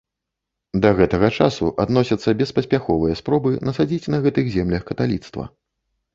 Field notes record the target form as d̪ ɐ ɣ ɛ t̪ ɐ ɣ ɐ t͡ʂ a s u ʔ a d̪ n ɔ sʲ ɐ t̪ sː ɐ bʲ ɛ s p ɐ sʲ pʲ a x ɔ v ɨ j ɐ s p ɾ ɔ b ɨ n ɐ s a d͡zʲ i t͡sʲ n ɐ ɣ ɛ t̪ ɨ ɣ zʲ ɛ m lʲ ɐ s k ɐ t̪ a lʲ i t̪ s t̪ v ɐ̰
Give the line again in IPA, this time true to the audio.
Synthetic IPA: d̪ ɐ ɣ ɛ t̪ ɐ ɣ ɐ t͡ʂ a s u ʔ a d̪ n ɔ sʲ ɐ t̪ sː ɐ bʲ ɛ s p ɐ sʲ pʲ a x ɔ v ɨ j ɐ s p ɾ ɔ b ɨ n ɐ s a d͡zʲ i t͡sʲ n ɐ ɣ ɛ t̪ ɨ ɣ zʲ ɛ m lʲ ɐ x k ɐ t̪ a lʲ i t̪ s t̪ v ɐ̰